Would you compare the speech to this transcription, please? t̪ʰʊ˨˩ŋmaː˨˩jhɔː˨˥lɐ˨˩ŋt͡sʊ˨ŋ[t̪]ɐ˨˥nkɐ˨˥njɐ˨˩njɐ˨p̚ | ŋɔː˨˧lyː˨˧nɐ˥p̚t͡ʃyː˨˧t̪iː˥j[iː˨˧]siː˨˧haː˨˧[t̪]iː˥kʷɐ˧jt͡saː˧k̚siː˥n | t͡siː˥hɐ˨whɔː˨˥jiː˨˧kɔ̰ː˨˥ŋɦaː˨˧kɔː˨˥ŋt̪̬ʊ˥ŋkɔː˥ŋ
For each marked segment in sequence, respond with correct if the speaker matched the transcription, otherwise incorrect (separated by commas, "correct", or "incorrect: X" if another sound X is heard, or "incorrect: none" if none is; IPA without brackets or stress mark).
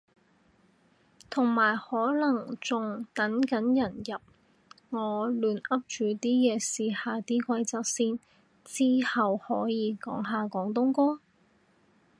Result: correct, incorrect: ɛː˨˧, correct